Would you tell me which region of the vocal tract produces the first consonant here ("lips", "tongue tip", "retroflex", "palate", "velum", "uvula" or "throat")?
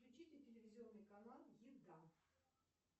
velum